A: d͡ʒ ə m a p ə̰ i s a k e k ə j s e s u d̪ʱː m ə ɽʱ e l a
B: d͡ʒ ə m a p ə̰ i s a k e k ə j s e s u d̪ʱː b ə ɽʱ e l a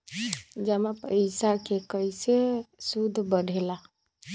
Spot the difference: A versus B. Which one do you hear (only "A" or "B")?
B